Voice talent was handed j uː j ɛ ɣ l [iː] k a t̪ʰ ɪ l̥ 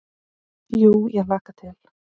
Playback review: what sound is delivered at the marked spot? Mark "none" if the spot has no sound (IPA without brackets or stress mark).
aː